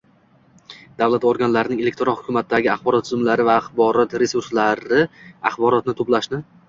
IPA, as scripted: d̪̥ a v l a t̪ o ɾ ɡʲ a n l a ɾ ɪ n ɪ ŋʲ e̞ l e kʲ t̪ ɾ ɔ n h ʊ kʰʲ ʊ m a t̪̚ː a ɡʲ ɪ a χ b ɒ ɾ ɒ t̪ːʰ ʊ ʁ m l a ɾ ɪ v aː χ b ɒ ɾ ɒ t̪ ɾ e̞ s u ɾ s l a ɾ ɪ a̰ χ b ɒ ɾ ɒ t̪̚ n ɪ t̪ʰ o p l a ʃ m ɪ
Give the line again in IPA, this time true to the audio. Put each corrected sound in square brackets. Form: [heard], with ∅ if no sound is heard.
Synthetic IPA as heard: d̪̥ a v l a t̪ o ɾ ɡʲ a n l a ɾ ɪ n ɪ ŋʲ e̞ l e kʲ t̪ ɾ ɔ n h ʊ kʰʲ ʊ m a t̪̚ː a ɡʲ ɪ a χ b ɒ ɾ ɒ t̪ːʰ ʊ [z] m l a ɾ ɪ v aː χ b ɒ ɾ ɒ t̪ ɾ e̞ s u ɾ s l a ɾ ɪ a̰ χ b ɒ ɾ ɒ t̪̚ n ɪ t̪ʰ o p l a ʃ [n] ɪ